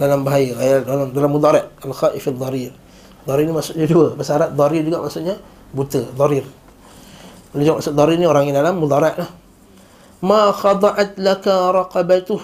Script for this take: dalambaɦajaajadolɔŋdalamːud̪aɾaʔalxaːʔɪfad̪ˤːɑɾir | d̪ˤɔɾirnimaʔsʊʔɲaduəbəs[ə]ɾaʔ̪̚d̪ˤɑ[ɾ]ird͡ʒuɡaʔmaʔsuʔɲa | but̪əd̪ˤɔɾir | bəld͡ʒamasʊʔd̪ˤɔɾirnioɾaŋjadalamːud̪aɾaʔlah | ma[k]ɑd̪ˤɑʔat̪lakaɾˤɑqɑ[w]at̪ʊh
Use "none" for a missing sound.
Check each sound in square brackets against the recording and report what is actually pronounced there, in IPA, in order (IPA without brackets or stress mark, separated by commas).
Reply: a, ɾ, x, b